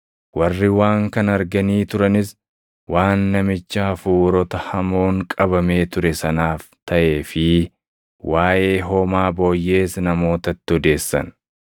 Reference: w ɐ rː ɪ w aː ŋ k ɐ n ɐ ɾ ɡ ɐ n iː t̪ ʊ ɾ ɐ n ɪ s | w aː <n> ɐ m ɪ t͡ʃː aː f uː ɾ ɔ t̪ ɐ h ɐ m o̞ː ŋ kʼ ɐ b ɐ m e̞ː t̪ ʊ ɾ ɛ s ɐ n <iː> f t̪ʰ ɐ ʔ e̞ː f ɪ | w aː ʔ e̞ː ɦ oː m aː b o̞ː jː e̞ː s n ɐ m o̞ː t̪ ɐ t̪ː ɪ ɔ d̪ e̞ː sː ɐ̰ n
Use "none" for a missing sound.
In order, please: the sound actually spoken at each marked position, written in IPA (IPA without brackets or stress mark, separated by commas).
nː, aː